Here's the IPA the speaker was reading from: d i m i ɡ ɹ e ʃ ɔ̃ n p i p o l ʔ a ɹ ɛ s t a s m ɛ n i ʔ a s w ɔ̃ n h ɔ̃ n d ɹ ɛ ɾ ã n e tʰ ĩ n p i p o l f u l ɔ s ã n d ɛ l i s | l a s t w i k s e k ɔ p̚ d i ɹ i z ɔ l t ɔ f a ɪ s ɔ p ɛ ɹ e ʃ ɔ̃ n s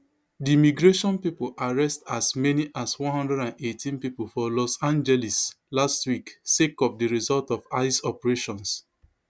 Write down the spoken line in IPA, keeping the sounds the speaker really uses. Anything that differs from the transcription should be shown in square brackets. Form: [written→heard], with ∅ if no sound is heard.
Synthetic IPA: d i m i ɡ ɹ e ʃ ɔ̃ n p i p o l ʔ a ɹ ɛ s t a s m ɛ n i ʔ a s w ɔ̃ n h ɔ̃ n d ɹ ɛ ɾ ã n e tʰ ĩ n p i p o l f [u→ɔ] l ɔ s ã n [d→d͡ʒ] ɛ l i s | l a s t w i k s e k ɔ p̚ d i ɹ i z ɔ l t ɔ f a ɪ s ɔ p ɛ ɹ e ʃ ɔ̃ n s